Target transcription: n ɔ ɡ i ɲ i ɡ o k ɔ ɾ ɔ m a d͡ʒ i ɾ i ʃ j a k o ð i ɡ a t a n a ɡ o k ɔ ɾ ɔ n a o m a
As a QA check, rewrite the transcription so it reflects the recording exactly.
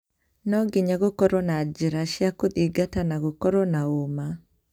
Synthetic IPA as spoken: n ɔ ɡ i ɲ a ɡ o k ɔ ɾ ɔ n a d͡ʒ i ɾ a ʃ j a k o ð i ɡ a t a n a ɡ o k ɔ ɾ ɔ n a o m a